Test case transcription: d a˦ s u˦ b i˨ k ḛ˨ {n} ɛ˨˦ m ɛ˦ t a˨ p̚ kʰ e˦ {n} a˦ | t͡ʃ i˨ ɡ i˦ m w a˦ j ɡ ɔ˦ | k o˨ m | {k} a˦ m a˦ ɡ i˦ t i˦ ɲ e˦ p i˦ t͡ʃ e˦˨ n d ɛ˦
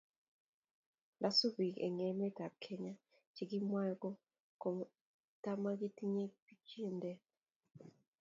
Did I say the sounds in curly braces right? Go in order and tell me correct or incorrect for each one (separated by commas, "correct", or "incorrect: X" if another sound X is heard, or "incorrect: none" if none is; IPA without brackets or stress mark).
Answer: incorrect: ŋ, incorrect: ɲ, incorrect: t